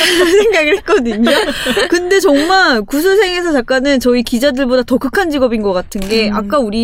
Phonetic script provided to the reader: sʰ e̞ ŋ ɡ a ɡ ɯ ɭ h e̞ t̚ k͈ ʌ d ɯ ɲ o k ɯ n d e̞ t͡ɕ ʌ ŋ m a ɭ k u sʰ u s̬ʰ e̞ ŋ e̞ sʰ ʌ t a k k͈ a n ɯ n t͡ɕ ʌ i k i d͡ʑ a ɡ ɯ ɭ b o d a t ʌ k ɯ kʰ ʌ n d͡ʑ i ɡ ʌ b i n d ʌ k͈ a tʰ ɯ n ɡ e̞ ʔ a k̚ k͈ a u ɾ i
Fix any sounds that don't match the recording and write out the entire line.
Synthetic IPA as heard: sʰ e̞ ŋ ɡ a ɡ ɯ ɭ h e̞ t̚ k͈ ʌ d ɯ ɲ o k ɯ n d e̞ t͡ɕ ʌ ŋ m a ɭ k u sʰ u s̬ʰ e̞ ŋ e̞ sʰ ʌ t͡ɕ a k k͈ a n ɯ n t͡ɕ ʌ i k i d͡ʑ a d ɯ ɭ b o d a t ʌ k ɯ kʰ a n d͡ʑ i ɡ ʌ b i n ɡ ʌ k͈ a tʰ ɯ n ɡ e̞ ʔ a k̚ k͈ a u ɾ i